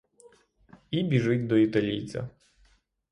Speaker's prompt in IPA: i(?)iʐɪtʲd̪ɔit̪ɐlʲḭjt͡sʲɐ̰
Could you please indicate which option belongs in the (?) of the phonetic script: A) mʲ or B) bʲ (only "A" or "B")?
B